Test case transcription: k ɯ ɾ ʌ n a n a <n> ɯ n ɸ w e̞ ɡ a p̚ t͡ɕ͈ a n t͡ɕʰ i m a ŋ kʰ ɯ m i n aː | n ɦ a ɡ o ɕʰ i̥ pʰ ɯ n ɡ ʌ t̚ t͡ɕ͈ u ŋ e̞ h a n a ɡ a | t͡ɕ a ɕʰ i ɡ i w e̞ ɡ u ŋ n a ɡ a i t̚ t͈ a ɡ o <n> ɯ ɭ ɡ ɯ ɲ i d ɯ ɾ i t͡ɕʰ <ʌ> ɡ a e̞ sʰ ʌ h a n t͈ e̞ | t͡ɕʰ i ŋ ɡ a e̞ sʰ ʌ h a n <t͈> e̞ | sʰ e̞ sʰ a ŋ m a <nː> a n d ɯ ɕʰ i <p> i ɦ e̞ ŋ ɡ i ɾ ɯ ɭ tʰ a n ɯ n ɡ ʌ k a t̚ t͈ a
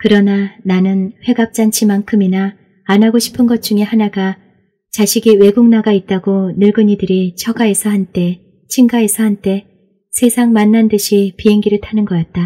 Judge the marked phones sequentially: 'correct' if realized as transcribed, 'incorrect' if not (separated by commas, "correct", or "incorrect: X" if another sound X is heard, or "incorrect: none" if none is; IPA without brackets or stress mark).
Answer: correct, correct, correct, correct, correct, correct